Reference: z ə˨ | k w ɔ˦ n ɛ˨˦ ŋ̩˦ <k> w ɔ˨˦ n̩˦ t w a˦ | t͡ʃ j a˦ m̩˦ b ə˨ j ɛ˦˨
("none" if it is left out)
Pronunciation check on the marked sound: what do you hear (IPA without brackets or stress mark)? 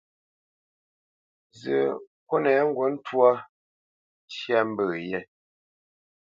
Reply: ɡ